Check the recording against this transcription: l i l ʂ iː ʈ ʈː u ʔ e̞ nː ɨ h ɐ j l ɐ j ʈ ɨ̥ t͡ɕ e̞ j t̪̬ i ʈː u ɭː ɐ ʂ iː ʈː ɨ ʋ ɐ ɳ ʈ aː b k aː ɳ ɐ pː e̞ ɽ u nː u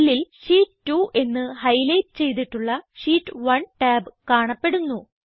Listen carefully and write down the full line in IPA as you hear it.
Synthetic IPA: l i l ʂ iː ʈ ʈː u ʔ e̞ nː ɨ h ɐ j l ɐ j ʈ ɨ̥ t͡ɕ e̞ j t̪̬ i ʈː u ɭː ɐ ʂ iː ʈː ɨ ʋ ɐ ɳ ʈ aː b k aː ɳ ɐ pː e̞ ɽ u nː u